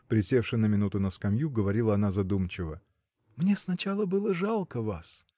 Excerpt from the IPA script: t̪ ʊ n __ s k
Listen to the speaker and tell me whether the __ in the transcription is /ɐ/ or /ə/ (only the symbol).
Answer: ə